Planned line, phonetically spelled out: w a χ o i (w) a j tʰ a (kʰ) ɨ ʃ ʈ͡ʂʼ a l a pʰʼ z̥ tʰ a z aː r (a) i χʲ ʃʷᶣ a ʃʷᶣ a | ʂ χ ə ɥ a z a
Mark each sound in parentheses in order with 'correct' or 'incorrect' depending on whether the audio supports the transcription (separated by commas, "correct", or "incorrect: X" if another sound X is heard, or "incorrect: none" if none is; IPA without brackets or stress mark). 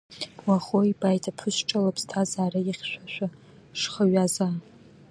incorrect: b, incorrect: pʰ, correct